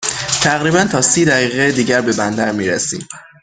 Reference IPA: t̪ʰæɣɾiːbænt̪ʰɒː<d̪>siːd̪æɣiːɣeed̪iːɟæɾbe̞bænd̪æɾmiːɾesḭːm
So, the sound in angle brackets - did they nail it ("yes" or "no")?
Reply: no